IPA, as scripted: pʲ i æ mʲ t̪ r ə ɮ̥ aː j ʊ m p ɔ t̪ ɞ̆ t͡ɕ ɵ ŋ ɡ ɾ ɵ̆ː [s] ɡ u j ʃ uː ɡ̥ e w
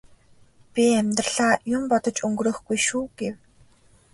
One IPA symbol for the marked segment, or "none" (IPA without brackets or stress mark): x